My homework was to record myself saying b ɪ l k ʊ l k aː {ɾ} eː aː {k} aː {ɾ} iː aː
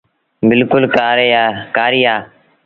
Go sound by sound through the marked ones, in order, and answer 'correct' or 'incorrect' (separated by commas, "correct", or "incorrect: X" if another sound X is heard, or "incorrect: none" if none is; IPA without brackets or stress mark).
correct, correct, correct